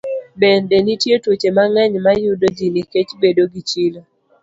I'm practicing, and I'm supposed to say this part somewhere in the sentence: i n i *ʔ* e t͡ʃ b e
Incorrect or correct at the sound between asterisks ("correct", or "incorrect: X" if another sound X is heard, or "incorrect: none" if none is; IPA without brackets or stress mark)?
incorrect: k